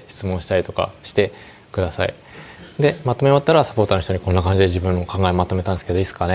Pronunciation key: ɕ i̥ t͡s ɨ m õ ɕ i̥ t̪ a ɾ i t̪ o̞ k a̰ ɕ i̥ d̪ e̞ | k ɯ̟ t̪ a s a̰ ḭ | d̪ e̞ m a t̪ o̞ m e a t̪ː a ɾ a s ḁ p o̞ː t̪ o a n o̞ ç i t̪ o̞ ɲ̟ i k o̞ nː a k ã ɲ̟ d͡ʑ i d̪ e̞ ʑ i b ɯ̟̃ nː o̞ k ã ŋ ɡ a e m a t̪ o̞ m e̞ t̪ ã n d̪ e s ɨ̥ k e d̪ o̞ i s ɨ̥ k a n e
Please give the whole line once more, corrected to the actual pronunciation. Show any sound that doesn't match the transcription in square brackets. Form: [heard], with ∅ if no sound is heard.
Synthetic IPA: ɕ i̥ t͡s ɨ m õ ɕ i̥ t̪ a ɾ i t̪ o̞ k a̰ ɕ i̥ [t̪] e̞ | k ɯ̟ [d̪] a s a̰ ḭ | d̪ e̞ m a t̪ o̞ m e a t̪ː a ɾ a s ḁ p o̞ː t̪ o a n o̞ ç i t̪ o̞ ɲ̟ i k o̞ nː a k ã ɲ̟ d͡ʑ i d̪ e̞ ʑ i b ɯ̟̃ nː o̞ k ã ŋ ɡ a e m a t̪ o̞ m e̞ t̪ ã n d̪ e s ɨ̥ k e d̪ o̞ i s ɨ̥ k a n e